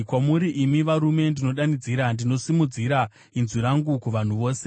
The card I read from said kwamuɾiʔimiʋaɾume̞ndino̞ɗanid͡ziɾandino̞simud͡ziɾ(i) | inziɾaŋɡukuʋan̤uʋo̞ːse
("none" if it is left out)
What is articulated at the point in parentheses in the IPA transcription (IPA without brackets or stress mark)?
a